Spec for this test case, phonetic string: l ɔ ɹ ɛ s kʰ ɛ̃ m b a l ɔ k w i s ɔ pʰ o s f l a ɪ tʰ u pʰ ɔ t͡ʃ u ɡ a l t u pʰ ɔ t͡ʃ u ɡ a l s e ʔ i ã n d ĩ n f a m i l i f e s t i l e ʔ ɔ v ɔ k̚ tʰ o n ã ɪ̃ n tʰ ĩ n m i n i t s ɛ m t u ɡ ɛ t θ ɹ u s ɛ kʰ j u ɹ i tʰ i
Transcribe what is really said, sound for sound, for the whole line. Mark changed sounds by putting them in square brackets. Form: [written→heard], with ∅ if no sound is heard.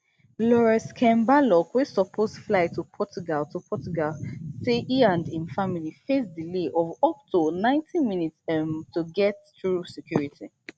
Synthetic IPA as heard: l ɔ ɹ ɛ s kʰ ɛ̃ m b a l ɔ k w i s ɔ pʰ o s f l a ɪ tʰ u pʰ ɔ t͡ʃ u ɡ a l t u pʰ ɔ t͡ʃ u ɡ a l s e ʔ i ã n d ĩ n f a m i l i f e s [t→d] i l e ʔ ɔ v ɔ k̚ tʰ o n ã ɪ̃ n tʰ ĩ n m i n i t s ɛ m t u ɡ ɛ t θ ɹ u s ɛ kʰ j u ɹ i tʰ i